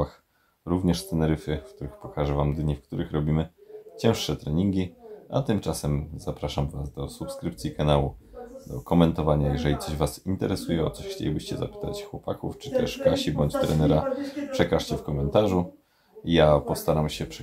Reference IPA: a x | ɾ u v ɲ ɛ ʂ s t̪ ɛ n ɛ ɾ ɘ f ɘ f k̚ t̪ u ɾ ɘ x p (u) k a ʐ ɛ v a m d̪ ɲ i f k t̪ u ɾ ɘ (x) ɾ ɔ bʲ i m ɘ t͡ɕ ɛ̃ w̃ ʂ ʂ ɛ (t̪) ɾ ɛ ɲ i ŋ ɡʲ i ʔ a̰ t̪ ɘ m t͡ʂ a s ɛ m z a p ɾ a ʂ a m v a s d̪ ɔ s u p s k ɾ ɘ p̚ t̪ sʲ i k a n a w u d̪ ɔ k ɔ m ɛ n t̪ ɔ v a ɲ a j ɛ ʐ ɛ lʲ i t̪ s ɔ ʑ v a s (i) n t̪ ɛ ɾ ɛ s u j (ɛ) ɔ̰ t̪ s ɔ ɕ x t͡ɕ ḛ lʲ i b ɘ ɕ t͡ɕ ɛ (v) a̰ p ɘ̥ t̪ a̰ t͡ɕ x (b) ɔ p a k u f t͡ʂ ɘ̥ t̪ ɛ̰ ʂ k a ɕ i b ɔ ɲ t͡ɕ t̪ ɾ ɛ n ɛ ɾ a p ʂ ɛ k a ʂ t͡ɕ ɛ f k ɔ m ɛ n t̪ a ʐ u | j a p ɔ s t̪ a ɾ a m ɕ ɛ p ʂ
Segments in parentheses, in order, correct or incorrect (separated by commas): incorrect, correct, correct, correct, correct, incorrect, incorrect